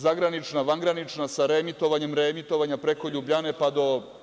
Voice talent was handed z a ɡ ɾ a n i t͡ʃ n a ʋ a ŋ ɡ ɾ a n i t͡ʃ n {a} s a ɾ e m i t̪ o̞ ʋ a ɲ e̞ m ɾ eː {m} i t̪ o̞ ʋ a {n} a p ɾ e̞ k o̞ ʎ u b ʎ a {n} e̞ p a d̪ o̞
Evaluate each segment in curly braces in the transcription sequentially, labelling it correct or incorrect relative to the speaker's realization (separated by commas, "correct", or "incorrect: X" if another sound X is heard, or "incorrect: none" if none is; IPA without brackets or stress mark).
correct, correct, incorrect: ɲ, correct